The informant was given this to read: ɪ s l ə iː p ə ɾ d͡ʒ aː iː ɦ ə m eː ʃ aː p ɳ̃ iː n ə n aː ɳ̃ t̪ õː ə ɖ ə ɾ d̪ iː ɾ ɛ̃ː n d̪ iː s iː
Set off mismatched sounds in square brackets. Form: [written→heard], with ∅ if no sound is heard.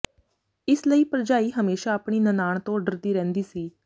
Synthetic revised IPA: ɪ s l ə iː p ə ɾ d͡ʒ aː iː ɦ ə m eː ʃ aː p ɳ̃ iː n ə n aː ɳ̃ t̪ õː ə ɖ ə ɾ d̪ iː ɾ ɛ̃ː n d̪ iː s iː

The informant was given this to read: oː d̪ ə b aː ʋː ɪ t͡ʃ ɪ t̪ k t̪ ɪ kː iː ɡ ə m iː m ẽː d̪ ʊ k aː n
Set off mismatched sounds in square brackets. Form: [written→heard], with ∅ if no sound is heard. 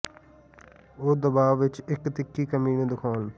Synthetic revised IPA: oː d̪ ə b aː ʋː ɪ t͡ʃ ɪ [t̪→∅] k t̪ ɪ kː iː [ɡ→k] ə m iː [m→n] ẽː d̪ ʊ [k→kʰ] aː n

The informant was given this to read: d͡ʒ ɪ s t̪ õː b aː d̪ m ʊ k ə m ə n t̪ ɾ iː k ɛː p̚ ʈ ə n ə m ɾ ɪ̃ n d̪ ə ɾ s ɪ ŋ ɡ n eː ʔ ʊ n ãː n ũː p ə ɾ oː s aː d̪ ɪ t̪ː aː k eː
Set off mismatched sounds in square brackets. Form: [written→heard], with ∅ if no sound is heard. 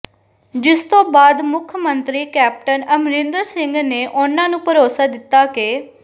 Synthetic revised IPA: d͡ʒ ɪ s t̪ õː b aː d̪ m ʊ [k→kʰ] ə m ə n t̪ ɾ iː k ɛː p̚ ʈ ə n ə m ɾ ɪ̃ n d̪ ə ɾ s ɪ ŋ ɡ n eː ʔ ʊ n ãː n ũː p ə ɾ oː s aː d̪ ɪ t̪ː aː k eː

